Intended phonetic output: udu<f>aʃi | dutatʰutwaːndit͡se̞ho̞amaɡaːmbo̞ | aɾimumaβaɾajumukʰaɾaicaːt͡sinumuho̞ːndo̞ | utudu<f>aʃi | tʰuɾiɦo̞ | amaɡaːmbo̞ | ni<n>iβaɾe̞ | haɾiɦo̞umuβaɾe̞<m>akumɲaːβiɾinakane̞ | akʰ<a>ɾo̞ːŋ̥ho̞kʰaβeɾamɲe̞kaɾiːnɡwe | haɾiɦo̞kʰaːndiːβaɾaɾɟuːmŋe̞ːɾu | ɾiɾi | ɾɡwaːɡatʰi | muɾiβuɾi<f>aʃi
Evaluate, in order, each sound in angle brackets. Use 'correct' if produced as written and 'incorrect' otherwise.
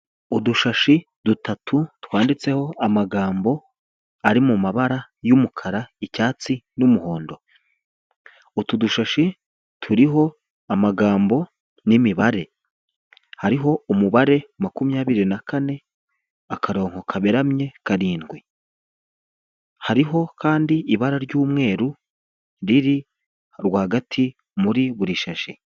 incorrect: ʃ, incorrect: ʃ, incorrect: m, correct, correct, incorrect: ʃ

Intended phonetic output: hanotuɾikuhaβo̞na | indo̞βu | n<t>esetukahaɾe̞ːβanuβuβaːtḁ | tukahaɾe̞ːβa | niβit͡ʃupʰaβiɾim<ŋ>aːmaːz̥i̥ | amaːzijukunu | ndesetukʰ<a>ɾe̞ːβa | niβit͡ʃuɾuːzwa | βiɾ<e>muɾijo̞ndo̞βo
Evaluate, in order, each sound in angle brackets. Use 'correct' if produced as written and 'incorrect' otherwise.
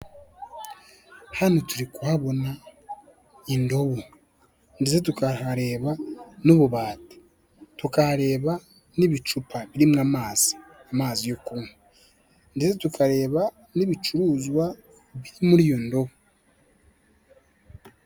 incorrect: d, correct, correct, incorrect: i

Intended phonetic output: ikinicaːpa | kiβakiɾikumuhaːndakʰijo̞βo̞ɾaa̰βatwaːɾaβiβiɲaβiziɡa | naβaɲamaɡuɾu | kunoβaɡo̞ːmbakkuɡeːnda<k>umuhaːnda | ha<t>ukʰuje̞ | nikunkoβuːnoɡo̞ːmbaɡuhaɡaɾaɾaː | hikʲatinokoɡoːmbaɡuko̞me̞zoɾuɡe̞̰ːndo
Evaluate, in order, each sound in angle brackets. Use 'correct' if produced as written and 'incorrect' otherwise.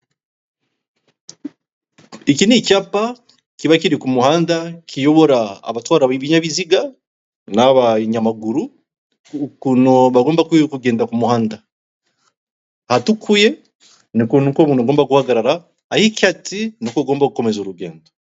correct, correct

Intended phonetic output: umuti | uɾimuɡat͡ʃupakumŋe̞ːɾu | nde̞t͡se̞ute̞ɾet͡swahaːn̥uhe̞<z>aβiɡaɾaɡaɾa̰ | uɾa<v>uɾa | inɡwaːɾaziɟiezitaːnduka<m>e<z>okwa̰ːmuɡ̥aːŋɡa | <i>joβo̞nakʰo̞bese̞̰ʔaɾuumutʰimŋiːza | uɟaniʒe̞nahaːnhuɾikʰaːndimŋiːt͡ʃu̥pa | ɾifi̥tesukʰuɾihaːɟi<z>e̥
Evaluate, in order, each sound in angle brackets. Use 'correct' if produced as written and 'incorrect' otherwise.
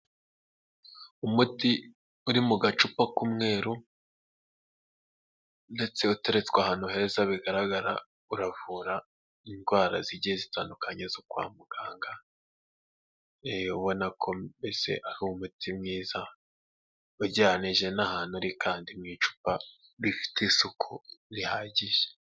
correct, correct, incorrect: ɲ, correct, incorrect: e, incorrect: ʒ

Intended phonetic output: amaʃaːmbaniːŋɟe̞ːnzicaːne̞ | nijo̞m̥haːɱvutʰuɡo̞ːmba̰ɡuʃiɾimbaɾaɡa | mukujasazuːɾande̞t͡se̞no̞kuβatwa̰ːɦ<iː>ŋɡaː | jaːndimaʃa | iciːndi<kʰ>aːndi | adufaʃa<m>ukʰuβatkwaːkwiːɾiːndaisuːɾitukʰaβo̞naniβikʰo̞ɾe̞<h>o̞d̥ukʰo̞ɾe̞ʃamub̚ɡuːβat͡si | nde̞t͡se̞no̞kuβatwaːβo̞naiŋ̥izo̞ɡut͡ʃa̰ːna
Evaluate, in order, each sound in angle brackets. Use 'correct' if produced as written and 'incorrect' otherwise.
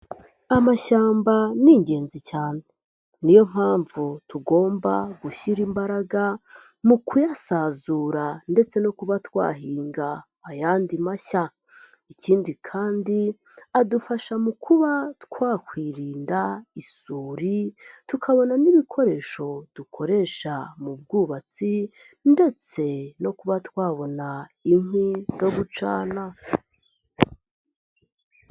correct, correct, correct, incorrect: ʃ

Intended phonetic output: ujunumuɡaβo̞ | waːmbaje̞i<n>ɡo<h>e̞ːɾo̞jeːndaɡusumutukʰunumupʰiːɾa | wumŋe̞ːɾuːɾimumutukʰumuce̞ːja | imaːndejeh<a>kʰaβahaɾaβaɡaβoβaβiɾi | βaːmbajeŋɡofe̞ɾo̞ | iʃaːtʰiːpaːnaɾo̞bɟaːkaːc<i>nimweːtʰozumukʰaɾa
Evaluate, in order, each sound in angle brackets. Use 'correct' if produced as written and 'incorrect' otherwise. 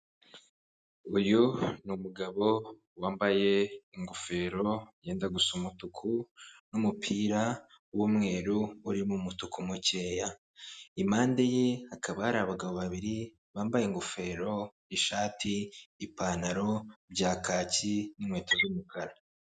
incorrect: ŋ, incorrect: f, correct, correct

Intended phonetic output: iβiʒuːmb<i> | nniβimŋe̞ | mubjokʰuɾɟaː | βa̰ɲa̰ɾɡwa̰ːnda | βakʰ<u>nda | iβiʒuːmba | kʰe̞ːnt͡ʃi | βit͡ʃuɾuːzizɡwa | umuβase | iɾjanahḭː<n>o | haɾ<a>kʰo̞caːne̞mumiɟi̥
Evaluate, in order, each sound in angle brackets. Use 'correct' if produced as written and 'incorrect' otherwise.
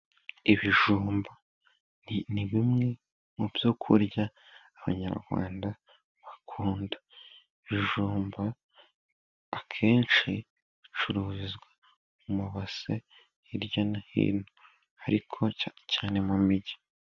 incorrect: a, incorrect: uː, correct, incorrect: i

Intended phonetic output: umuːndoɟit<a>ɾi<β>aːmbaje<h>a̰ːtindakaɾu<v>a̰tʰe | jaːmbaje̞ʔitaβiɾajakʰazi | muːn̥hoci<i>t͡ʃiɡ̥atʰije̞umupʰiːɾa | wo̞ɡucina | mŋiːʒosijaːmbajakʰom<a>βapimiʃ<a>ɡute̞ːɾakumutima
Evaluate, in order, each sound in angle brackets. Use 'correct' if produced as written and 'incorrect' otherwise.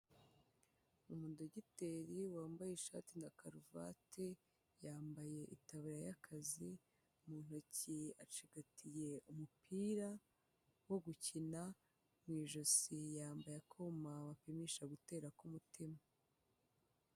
incorrect: e, incorrect: w, incorrect: ʃ, correct, incorrect: a, correct, correct

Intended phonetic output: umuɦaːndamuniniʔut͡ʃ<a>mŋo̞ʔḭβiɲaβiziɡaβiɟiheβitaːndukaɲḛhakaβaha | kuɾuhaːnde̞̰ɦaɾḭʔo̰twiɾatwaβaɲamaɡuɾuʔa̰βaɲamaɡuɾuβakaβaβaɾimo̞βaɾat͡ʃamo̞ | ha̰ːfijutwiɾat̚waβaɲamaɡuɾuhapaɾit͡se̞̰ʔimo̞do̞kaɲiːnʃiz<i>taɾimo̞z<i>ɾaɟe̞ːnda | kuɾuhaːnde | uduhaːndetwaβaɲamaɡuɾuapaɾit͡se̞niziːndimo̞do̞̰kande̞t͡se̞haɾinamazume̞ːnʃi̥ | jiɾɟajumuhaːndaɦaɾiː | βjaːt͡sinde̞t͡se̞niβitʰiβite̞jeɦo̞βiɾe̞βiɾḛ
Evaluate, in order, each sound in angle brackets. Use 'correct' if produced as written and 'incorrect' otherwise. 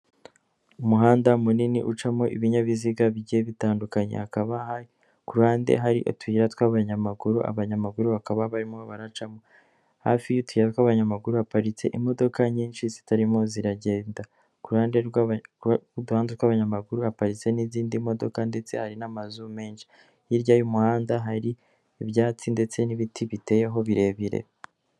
correct, correct, correct

